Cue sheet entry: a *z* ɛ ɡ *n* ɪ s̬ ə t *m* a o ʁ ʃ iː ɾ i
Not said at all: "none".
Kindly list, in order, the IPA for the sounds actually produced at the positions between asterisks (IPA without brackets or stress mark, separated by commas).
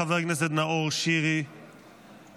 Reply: v, n, n